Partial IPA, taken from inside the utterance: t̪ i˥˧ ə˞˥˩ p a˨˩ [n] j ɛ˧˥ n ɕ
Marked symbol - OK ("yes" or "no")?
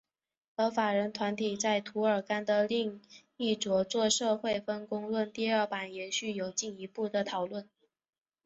yes